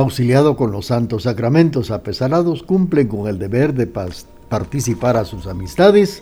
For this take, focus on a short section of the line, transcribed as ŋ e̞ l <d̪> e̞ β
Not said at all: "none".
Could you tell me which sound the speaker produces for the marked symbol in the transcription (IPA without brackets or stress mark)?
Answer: d̪